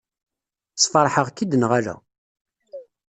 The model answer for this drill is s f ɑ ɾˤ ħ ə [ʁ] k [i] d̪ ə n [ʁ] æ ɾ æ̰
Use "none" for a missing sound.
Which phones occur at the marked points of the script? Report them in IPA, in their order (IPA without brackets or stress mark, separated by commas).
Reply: ʁ, i, ʁ